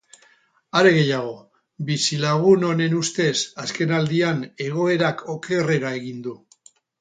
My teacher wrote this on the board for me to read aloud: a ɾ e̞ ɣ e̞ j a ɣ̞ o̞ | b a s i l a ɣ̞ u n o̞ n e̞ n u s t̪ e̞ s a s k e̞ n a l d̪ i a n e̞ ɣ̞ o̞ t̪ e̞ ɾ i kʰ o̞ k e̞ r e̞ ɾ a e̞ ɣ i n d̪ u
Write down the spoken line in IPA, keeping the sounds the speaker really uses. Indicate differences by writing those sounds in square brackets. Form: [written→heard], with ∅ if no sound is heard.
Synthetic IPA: a ɾ e̞ ɣ e̞ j a ɣ̞ o̞ | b [a→i] s i l a ɣ̞ u n o̞ n e̞ n u s t̪ e̞ s a s k e̞ n a l d̪ i a n e̞ ɣ̞ o̞ [t̪→∅] e̞ ɾ [i→a] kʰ o̞ k e̞ r e̞ ɾ a e̞ ɣ i n d̪ u